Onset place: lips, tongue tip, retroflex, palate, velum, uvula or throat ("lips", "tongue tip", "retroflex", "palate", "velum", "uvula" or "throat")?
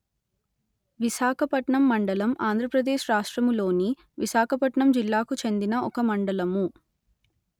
lips